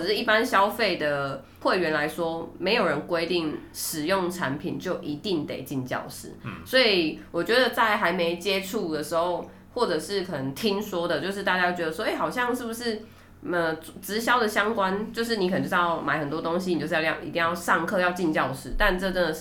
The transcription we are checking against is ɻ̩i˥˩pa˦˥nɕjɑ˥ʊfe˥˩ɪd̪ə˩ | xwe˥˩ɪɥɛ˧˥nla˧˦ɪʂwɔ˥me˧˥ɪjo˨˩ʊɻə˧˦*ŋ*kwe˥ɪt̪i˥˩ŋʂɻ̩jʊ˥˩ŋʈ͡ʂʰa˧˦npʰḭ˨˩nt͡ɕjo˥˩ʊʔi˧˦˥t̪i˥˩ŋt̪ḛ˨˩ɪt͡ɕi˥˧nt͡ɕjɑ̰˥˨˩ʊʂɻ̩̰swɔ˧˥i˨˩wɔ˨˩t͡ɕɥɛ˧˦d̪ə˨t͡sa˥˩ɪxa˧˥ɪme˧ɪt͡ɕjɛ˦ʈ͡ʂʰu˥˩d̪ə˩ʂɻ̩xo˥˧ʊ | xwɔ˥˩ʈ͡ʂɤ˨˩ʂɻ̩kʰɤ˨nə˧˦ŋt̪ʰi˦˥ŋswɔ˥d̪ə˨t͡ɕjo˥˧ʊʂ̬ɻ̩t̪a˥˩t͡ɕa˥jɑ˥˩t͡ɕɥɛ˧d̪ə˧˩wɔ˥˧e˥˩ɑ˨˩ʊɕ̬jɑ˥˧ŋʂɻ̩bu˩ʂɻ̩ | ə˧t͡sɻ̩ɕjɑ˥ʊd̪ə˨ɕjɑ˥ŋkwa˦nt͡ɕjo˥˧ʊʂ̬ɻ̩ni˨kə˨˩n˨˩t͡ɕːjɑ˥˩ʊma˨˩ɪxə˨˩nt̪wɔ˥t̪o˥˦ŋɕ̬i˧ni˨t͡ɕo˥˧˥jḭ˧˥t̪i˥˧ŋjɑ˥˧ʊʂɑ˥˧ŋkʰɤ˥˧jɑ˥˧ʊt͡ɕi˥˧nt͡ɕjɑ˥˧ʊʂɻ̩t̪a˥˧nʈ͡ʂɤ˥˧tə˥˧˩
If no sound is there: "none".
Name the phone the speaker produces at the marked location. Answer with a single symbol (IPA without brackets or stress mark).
n